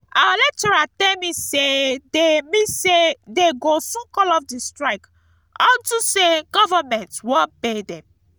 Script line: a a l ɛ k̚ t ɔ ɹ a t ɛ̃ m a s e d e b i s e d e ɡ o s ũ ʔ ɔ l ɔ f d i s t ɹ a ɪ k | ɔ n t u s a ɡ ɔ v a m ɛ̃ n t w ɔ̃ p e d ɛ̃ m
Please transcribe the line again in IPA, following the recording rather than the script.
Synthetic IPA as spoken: a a l ɛ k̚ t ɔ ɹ a t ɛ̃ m i s e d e m i s e d e ɡ o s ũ k ɔ l ɔ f d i s t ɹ a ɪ k | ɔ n t u s e ɡ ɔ v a m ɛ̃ n t w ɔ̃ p e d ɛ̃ m